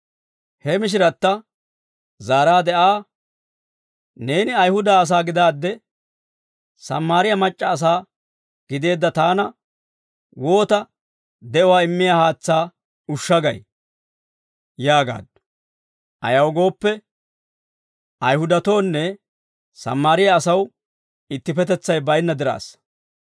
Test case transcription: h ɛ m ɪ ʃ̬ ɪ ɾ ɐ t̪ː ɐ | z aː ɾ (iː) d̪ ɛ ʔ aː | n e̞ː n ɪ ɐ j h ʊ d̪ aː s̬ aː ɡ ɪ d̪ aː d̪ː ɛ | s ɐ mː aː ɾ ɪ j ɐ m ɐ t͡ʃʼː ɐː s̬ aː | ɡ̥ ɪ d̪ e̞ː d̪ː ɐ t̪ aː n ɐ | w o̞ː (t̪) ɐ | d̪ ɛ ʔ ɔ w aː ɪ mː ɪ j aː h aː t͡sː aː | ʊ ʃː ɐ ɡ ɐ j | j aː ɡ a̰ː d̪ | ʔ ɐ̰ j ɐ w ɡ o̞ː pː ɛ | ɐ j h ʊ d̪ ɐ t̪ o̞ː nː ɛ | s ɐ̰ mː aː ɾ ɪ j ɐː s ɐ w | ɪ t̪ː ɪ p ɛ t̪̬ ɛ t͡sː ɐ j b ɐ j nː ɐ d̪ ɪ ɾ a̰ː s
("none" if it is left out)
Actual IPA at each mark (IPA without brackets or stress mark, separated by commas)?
aː, t̪